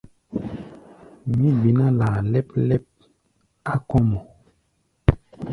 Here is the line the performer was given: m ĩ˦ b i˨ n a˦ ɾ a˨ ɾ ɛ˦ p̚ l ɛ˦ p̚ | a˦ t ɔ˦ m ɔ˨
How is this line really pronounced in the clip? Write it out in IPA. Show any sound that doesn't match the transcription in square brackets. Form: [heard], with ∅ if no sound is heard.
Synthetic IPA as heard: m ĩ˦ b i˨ n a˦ [l] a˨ [l] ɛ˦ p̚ l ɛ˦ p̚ | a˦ [k] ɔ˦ m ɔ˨